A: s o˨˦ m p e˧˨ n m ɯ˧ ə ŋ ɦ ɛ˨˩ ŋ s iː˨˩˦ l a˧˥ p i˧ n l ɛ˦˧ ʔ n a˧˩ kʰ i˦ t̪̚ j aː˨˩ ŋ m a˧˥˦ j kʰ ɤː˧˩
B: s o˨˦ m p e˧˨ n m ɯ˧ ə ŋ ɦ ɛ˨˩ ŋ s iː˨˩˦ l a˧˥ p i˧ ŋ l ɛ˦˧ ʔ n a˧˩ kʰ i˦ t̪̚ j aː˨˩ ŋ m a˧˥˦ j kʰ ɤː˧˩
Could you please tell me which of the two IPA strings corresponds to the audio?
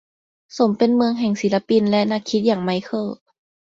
A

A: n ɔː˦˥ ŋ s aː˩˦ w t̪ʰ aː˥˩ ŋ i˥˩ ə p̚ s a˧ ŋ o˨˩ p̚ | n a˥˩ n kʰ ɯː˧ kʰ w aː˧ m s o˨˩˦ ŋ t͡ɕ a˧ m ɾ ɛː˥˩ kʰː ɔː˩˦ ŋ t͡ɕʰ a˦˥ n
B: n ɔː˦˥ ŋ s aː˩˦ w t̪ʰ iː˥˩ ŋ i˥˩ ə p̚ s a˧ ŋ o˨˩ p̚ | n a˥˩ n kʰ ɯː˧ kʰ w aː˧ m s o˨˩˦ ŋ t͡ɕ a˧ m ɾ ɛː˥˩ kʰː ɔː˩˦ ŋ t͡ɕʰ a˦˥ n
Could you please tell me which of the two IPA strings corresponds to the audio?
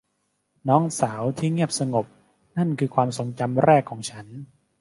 B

